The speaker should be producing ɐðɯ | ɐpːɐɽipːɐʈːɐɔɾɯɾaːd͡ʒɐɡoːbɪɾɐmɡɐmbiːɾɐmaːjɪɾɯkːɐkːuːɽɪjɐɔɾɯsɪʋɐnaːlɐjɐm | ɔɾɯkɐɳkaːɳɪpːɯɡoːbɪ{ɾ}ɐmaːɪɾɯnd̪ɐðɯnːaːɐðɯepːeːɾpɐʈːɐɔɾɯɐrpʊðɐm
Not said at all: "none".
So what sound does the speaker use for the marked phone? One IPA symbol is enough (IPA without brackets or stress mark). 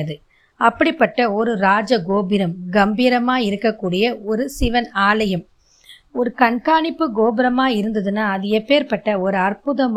ɾ